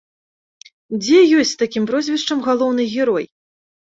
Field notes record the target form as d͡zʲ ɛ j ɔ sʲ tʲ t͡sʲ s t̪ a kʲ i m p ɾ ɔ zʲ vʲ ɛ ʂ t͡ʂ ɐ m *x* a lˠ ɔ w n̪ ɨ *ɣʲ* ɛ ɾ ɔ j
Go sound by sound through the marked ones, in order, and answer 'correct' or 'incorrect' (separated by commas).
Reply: incorrect, correct